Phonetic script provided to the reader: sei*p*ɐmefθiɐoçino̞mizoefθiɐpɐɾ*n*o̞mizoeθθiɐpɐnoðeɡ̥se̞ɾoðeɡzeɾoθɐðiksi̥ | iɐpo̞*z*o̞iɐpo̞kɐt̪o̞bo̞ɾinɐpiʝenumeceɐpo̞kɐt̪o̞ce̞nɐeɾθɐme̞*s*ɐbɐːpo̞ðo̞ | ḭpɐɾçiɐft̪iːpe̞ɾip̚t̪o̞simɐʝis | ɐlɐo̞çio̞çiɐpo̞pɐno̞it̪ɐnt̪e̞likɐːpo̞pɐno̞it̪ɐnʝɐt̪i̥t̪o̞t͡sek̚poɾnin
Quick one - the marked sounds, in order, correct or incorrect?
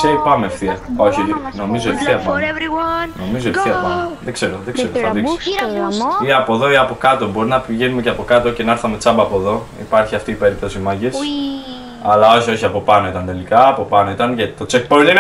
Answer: correct, correct, incorrect: ð, incorrect: t͡s

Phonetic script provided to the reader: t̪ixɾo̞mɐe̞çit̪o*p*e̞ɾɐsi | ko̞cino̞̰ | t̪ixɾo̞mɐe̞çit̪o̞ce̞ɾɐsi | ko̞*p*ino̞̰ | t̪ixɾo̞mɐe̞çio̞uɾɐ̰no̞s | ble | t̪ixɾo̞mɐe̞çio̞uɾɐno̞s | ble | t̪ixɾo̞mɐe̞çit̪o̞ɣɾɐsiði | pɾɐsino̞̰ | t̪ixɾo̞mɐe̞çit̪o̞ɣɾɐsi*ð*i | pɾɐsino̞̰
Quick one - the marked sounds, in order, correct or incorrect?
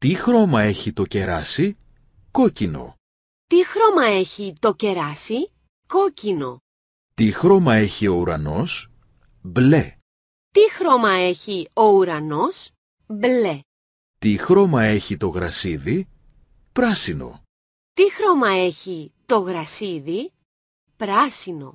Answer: incorrect: c, incorrect: c, correct

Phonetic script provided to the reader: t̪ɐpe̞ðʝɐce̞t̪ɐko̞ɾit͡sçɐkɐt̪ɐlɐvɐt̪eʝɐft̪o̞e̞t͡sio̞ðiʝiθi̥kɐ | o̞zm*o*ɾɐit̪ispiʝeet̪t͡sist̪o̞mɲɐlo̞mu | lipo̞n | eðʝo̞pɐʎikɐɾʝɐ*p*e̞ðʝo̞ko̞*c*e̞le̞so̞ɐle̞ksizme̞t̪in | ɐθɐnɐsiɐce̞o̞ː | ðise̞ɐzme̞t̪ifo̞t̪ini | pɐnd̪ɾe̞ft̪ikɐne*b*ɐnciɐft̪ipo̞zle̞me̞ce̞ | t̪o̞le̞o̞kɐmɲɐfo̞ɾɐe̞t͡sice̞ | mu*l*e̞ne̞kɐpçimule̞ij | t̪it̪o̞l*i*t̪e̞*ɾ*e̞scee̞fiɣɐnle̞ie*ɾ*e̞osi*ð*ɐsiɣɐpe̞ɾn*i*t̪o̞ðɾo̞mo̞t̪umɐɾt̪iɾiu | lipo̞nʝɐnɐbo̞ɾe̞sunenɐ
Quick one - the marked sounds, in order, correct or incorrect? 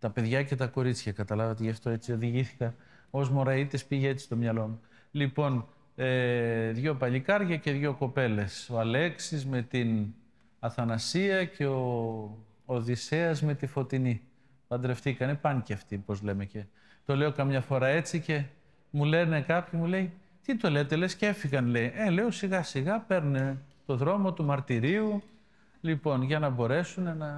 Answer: correct, incorrect: c, incorrect: p, incorrect: p, correct, incorrect: e, incorrect: l, incorrect: l, incorrect: ɣ, incorrect: e

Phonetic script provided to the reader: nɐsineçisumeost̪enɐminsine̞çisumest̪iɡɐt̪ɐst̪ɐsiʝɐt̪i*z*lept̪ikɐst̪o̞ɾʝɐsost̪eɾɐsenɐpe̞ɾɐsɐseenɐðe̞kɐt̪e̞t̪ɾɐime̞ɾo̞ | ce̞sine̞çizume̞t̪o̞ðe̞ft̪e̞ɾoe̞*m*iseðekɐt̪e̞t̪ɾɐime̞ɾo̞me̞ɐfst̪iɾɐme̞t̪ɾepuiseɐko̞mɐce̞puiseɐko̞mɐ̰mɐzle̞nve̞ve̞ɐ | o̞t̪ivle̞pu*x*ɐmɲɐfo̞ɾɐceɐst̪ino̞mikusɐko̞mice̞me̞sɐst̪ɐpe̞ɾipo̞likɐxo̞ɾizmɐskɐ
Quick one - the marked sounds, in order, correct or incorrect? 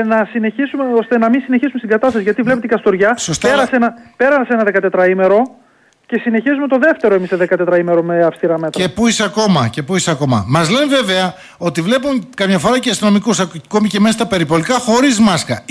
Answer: incorrect: v, correct, incorrect: k

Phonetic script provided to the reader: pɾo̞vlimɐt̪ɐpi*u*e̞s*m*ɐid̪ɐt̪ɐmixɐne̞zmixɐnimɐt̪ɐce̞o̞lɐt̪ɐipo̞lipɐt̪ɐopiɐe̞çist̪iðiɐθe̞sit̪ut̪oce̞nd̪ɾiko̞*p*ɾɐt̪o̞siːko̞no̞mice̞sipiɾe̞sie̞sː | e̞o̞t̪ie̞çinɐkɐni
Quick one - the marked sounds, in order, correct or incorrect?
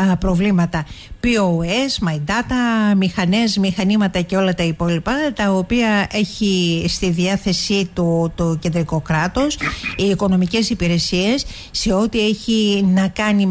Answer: incorrect: o, correct, incorrect: k

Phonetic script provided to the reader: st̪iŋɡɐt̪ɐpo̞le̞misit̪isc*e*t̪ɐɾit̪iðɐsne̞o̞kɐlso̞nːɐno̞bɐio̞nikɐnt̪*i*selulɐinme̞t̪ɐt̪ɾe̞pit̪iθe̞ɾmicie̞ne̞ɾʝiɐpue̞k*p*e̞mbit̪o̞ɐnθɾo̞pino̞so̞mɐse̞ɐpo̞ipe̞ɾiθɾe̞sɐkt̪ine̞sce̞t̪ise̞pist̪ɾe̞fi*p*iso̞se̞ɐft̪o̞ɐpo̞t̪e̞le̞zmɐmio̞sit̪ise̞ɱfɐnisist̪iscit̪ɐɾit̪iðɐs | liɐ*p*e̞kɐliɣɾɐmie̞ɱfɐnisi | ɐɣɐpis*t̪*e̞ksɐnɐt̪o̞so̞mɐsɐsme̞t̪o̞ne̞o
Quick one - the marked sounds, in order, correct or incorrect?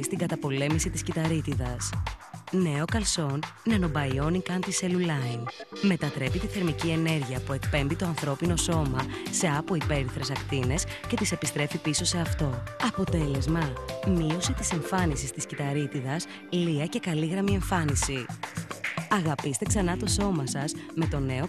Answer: incorrect: i, correct, correct, correct, incorrect: c, correct

